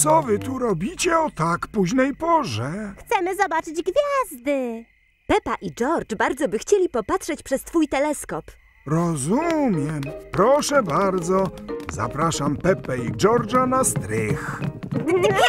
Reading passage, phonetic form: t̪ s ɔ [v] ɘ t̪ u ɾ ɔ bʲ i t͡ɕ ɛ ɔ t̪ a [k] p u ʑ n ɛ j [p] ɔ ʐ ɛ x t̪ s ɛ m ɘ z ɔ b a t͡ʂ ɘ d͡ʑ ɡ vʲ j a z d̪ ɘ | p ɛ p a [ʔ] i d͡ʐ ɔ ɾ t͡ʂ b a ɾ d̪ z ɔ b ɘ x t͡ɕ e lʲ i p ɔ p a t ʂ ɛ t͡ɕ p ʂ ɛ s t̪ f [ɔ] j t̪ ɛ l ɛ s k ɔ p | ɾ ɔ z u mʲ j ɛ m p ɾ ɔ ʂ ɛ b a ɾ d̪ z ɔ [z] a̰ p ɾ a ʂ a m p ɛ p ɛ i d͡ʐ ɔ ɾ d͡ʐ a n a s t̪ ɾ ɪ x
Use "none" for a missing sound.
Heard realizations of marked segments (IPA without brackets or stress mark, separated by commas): v, k, p, ʔ, u, z